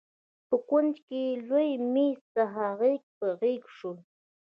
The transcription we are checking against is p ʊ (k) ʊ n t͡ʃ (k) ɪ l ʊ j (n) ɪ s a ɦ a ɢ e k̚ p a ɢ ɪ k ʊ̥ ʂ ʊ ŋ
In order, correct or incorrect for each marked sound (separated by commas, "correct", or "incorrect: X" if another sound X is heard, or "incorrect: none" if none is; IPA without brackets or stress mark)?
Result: correct, correct, incorrect: m